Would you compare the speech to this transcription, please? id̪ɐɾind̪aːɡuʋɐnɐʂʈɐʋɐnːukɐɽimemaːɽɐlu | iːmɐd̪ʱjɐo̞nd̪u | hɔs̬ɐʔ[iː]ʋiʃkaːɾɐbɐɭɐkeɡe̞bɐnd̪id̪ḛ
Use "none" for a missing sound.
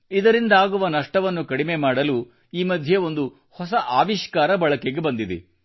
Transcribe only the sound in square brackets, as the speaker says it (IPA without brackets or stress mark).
aː